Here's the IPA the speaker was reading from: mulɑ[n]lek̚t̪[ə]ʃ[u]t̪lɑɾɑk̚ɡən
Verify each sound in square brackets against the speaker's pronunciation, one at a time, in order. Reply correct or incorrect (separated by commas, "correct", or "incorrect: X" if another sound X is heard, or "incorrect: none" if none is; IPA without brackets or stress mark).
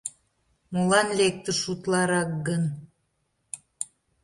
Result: correct, correct, correct